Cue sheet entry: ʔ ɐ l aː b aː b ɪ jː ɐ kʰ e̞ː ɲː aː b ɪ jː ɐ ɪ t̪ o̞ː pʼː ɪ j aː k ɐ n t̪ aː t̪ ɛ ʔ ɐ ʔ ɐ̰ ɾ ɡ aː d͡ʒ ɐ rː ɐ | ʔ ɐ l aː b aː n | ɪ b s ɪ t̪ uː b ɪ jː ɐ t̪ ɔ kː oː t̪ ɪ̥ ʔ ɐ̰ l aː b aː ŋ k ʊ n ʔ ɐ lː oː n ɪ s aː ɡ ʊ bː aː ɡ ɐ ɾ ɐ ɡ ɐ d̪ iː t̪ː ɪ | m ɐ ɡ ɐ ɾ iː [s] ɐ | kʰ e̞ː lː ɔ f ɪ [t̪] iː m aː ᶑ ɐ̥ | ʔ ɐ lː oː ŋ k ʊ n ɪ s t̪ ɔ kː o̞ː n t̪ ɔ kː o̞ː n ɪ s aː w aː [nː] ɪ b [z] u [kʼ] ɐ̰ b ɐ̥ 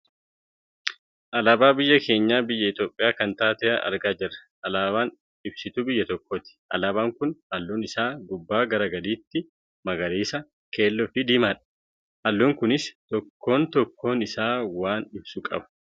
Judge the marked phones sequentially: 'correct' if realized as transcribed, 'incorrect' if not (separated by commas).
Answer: correct, incorrect, incorrect, incorrect, correct